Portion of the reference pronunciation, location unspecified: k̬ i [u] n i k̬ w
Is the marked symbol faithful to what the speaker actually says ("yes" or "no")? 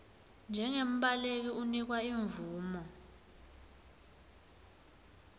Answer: yes